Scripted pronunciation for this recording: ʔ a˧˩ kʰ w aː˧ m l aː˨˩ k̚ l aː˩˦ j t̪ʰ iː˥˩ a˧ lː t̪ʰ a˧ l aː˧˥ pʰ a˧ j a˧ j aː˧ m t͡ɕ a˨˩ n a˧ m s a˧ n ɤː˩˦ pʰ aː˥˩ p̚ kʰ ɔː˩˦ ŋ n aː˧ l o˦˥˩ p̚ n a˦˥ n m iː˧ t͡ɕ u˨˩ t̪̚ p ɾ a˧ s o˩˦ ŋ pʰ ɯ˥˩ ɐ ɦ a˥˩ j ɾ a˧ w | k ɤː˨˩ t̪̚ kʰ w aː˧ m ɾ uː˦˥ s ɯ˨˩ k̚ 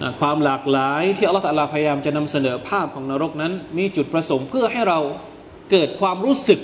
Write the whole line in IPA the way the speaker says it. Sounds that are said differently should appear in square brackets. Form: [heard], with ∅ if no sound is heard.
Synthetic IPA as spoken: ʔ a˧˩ kʰ w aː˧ m l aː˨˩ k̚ l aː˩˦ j t̪ʰ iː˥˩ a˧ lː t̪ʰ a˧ l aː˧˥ pʰ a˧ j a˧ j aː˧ m t͡ɕ a˨˩ n a˧ m s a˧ n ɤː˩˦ pʰ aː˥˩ p̚ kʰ ɔː˩˦ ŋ n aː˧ [ɾ] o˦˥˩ [k̚] n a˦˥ n m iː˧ t͡ɕ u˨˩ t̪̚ p ɾ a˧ s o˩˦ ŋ pʰ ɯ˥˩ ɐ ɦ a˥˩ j ɾ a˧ w | k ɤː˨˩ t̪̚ kʰ w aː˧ m ɾ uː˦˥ s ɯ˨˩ k̚